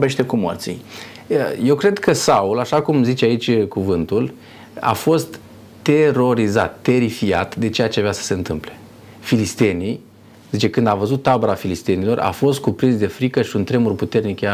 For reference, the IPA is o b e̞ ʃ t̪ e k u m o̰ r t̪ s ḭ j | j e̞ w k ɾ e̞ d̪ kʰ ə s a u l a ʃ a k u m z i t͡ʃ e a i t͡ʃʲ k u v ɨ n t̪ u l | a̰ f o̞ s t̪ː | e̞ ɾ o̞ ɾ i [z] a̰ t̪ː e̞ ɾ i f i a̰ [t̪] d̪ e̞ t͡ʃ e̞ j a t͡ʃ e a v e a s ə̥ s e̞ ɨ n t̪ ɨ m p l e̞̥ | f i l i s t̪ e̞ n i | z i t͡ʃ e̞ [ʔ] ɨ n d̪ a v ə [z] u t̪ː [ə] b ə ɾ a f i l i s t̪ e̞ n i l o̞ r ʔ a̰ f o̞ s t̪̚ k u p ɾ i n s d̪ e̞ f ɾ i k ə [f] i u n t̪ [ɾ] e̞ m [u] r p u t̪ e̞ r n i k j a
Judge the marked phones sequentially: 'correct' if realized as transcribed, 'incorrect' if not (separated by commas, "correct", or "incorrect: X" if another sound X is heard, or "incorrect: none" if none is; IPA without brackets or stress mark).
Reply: correct, correct, incorrect: k, correct, incorrect: a, incorrect: ʃ, correct, correct